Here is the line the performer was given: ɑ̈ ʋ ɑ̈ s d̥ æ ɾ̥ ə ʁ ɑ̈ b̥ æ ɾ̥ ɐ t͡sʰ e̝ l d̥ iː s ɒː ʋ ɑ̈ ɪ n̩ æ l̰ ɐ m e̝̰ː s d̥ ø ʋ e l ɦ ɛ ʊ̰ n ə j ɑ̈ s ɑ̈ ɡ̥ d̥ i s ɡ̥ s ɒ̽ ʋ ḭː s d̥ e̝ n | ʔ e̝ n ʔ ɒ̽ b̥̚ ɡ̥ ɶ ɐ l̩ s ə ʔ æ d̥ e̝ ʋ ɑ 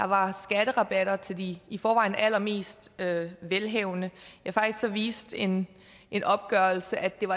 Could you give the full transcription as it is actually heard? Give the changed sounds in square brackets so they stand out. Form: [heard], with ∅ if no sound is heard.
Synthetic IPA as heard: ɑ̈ ʋ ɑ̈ s [ɡ̥] æ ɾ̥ ə ʁ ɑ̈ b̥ æ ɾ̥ ɐ t͡sʰ e̝ l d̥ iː [f] ɒː ʋ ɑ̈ ɪ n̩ æ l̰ ɐ m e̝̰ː s d̥ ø ʋ e l ɦ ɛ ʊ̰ n ə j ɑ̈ [f] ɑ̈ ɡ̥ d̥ i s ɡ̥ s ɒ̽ ʋ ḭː s d̥ e̝ n | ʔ e̝ n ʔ ɒ̽ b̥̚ ɡ̥ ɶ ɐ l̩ s ə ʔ æ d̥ e̝ ʋ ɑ